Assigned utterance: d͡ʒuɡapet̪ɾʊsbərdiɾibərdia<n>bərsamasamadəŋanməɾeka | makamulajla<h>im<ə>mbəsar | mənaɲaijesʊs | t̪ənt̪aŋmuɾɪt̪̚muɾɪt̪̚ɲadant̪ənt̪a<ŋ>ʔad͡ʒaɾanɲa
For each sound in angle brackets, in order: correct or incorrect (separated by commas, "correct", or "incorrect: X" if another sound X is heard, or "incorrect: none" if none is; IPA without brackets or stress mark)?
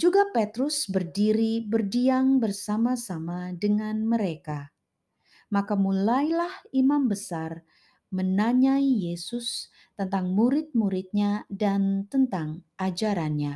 incorrect: ŋ, correct, incorrect: a, correct